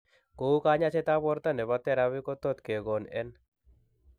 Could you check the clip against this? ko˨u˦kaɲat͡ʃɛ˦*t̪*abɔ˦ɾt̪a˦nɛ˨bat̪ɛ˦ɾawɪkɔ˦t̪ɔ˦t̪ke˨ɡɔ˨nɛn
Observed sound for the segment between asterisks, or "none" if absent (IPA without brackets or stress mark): t̪